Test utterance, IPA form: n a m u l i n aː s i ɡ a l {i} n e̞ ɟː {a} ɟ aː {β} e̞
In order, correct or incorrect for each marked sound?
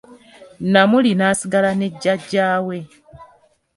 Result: incorrect: a, correct, incorrect: w

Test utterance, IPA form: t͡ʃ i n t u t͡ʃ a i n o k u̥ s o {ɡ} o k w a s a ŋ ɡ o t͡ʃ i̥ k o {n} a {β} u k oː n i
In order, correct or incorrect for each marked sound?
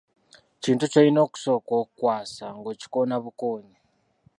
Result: incorrect: k, correct, correct

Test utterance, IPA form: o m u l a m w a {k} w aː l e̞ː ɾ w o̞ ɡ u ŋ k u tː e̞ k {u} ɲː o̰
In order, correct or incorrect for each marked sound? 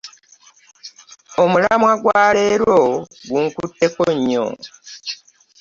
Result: incorrect: ɡ, incorrect: o

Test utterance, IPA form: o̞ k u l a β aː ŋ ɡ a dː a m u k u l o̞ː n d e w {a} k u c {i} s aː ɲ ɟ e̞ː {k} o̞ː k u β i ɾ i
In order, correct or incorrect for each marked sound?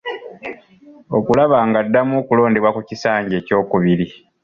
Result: correct, correct, incorrect: c

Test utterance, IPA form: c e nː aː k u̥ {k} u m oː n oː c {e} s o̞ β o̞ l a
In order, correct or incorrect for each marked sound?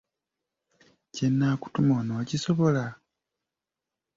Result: incorrect: t, incorrect: i

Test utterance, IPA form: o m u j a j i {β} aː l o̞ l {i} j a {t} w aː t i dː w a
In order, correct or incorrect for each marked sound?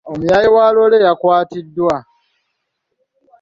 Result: incorrect: w, incorrect: e, incorrect: k

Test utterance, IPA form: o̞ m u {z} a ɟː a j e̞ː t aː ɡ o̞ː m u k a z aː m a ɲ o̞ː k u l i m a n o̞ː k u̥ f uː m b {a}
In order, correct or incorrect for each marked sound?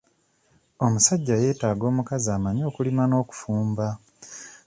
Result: incorrect: s, correct

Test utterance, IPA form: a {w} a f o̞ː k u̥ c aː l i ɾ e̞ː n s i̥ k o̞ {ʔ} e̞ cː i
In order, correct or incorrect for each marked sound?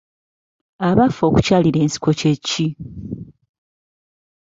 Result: incorrect: β, incorrect: c

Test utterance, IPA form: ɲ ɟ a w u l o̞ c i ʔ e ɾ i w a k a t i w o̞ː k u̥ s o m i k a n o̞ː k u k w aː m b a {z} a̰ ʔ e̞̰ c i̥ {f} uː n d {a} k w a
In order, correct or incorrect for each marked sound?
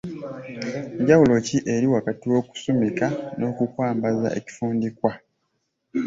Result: correct, correct, incorrect: i

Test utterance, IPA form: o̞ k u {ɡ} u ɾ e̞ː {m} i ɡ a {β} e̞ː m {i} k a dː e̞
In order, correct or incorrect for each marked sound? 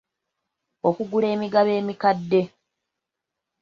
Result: correct, correct, correct, correct

